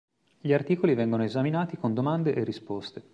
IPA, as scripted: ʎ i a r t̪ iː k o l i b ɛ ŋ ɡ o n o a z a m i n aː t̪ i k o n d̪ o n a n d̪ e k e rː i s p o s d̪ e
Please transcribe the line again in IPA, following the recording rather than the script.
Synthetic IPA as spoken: ʎ i a r t̪ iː k o l i v ɛ ŋ ɡ o n o e z a m i n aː t̪ i k o n d̪ o m a n d̪ e ʔ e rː i s p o s t̪ e